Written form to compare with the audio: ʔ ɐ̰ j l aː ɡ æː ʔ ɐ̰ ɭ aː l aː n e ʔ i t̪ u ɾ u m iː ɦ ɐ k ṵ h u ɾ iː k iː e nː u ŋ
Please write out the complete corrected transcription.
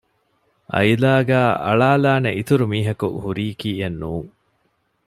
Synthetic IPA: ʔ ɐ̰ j l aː ɡ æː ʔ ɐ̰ ɭ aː l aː n e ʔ i t̪ u ɾ u m iː ɦ ɐ k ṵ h u ɾ iː k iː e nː uː ŋ